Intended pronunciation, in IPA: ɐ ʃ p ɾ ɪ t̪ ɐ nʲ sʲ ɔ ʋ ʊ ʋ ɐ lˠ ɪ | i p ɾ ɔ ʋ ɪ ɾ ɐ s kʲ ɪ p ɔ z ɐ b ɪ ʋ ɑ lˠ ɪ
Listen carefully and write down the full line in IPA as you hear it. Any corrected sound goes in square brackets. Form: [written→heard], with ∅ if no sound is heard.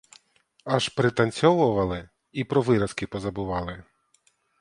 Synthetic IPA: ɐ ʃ p ɾ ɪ t̪ ɐ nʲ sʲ ɔ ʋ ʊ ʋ ɐ lˠ ɪ | i p ɾ ɔ ʋ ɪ ɾ ɐ s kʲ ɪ p ɔ z ɐ b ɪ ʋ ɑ lˠ ɪ